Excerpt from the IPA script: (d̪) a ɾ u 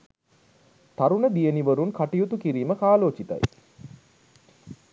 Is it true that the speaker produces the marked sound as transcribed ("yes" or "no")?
no